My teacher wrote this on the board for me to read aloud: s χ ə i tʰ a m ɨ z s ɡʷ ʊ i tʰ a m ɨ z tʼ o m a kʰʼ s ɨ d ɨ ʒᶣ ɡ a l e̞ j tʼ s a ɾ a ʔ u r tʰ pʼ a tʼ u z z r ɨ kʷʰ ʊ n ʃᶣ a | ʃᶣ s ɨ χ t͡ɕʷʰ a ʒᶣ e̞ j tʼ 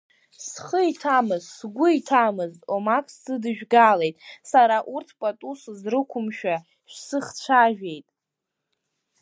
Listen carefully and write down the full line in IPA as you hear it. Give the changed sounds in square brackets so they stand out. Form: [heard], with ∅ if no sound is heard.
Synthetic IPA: s χ ə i tʰ a m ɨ z s ɡʷ ʊ i tʰ a m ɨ z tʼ o m a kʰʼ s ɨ d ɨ ʒᶣ ɡ a l e̞ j tʼ s a ɾ a ʔ u r tʰ pʼ a tʼ u [s] z r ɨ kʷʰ ʊ [m] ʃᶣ a | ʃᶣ s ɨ χ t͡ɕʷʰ a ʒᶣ e̞ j tʼ